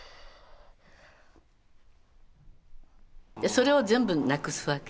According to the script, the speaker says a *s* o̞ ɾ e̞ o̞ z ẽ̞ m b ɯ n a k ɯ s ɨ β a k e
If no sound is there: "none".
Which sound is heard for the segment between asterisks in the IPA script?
s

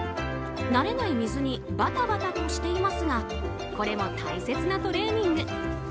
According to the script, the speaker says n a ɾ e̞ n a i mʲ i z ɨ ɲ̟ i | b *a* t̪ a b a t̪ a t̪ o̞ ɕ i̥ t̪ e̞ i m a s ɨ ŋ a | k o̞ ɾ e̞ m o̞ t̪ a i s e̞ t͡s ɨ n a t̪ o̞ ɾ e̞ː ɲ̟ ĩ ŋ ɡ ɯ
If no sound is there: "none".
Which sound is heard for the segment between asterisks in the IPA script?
a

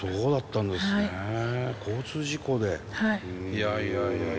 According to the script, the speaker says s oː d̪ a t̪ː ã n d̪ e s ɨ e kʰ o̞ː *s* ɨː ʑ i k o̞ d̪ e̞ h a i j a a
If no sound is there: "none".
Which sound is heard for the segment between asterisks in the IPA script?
t͡s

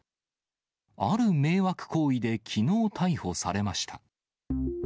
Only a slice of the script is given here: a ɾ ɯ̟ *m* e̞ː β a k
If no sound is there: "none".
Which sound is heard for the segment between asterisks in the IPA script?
m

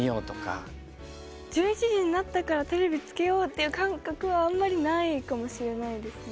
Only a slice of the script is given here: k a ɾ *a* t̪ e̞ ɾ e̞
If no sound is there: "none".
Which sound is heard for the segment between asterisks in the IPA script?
a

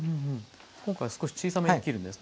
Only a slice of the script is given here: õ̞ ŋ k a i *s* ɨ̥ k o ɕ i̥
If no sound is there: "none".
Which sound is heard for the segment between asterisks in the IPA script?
s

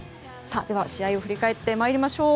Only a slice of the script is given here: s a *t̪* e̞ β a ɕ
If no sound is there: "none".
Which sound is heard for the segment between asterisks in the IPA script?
d̪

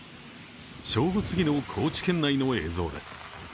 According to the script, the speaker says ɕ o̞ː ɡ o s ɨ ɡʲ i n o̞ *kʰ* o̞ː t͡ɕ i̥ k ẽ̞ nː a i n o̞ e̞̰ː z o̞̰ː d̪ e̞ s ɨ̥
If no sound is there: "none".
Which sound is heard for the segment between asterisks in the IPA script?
kʰ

